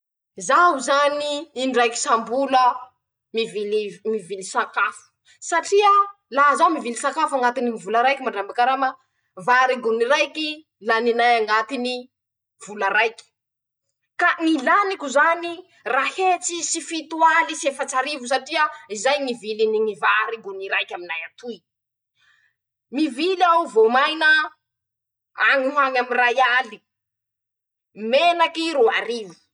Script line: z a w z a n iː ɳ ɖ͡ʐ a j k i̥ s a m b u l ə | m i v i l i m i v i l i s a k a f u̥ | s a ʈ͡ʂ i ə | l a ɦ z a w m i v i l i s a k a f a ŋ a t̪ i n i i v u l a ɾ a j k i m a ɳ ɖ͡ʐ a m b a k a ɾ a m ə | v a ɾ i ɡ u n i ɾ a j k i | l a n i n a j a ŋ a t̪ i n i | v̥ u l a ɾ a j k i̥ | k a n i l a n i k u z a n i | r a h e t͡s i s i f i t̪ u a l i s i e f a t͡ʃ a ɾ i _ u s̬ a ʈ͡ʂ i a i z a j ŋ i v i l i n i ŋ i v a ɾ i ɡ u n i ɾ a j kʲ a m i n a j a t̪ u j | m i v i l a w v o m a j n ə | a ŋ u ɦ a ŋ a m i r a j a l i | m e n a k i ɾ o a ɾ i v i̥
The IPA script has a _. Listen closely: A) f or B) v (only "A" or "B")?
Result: B